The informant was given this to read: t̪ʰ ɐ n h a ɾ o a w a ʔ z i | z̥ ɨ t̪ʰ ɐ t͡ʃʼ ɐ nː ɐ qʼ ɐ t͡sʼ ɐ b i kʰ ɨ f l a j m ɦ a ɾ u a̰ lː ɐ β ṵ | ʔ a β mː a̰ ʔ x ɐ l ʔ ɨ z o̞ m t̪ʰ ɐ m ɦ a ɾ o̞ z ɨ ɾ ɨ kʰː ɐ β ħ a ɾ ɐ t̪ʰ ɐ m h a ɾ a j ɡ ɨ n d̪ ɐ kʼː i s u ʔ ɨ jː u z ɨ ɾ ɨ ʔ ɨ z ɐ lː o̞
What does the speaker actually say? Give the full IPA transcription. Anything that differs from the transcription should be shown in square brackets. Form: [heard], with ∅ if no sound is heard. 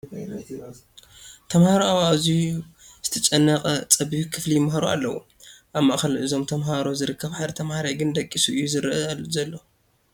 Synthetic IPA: t̪ʰ ɐ [m] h a ɾ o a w a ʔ z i | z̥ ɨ t̪ʰ ɐ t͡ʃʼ ɐ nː ɐ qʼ ɐ t͡sʼ ɐ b i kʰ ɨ f l [i] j m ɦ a ɾ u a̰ lː ɐ [w] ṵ | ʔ a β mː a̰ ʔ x ɐ l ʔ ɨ z o̞ m t̪ʰ ɐ m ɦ a ɾ o̞ z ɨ ɾ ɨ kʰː ɐ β ħ a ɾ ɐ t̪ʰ ɐ m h a ɾ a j ɡ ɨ n d̪ ɐ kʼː i s u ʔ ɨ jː u z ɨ ɾ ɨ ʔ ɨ z ɐ lː o̞